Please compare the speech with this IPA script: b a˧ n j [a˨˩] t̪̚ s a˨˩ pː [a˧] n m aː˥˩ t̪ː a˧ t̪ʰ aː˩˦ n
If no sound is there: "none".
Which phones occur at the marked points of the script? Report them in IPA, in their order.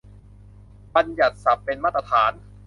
a˨˩, e˧

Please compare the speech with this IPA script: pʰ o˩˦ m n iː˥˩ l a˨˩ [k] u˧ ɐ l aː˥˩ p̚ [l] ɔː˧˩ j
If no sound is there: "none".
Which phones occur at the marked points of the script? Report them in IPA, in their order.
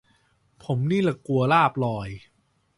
k, l

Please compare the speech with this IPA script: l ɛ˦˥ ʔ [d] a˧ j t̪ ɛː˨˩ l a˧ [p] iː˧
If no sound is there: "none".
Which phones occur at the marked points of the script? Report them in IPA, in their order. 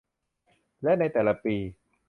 n, p

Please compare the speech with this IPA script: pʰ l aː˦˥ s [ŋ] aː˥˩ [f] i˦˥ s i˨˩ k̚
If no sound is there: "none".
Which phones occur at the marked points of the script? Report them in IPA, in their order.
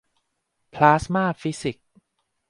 m, f

